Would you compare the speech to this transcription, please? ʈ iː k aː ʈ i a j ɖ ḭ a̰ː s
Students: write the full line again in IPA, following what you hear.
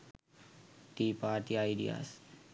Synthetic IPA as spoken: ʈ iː p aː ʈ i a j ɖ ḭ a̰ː s

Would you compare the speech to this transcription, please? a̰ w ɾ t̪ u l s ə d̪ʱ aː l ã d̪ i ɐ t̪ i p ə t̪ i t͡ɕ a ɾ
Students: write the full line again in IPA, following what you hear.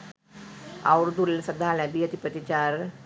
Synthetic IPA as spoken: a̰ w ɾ d̪ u l s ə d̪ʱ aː l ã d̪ i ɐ t̪ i p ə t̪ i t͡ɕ a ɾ

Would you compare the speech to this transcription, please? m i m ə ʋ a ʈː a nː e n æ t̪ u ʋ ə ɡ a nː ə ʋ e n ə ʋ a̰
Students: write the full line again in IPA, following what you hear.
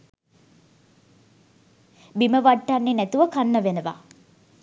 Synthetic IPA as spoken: b i m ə ʋ a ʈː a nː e n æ t̪ u ʋ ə k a nː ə ʋ e n ə ʋ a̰

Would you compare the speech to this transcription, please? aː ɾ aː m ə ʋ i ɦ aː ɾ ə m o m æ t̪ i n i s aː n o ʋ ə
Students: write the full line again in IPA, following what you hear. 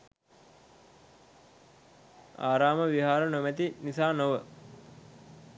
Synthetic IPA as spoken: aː ɾ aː m ə ʋ i ɦ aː ɾ ə n o m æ t̪ i n i s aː n o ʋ ə

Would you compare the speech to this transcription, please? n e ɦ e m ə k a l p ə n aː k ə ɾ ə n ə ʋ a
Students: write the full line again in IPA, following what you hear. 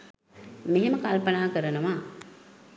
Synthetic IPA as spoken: m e ɦ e m ə k a l p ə n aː k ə ɾ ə n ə ʋ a

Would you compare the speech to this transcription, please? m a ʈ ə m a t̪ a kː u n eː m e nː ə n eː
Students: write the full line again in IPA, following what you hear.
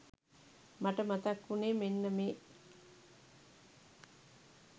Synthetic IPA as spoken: m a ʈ ə m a t̪ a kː u n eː m e nː ə m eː

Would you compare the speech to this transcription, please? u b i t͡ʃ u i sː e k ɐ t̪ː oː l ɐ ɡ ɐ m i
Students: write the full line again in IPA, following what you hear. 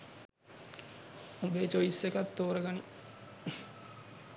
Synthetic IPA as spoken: u b e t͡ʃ o i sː e k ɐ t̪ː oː ɾ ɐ ɡ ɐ n i

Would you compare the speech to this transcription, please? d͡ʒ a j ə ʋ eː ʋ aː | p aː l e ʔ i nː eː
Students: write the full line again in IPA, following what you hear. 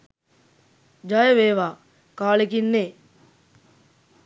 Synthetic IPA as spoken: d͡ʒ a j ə ʋ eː ʋ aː | k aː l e k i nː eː

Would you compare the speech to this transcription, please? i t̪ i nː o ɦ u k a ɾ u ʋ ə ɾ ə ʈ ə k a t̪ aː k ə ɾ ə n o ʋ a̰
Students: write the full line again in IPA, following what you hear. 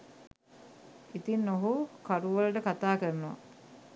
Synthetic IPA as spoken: i t̪ i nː o ɦ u k a ɾ u ʋ ə l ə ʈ ə k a t̪ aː k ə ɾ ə n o ʋ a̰

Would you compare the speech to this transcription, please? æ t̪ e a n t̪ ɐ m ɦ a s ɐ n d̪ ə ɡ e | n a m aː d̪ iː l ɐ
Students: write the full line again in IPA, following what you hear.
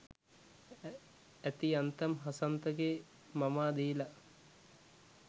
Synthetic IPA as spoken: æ t̪ i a n t̪ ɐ m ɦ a s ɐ n t̪ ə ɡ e | m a m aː d̪ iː l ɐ

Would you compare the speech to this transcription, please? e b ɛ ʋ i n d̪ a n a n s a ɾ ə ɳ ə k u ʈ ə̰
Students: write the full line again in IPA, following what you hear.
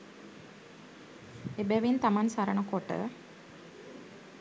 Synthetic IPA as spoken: e b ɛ ʋ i n t̪ a m a n s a ɾ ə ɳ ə k o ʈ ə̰

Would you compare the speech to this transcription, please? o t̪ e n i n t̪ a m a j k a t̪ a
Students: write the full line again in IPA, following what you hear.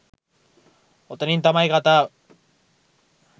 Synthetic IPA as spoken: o t̪ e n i n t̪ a m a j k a t̪ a

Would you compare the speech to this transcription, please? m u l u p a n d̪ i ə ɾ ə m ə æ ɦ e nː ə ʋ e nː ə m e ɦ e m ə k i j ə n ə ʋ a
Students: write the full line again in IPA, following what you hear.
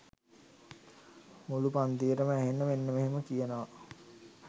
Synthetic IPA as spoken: m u l u p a n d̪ i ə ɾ ə m ə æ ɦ e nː ə ʋ e nː ə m e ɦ e m ə k i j ə n ə ʋ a

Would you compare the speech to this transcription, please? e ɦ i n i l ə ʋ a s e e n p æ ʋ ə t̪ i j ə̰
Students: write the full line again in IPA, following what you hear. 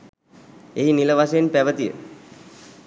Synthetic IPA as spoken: e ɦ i n i l ə ʋ a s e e n p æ ʋ ə t̪ i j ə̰

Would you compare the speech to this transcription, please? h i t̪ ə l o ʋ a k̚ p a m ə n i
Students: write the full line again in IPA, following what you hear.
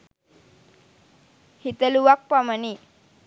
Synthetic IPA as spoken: h i t̪ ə l u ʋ a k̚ p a m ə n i

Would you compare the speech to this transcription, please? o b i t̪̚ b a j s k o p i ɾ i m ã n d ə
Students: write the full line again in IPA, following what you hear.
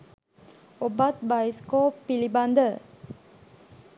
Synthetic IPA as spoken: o b a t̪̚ b a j s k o p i l i b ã n d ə

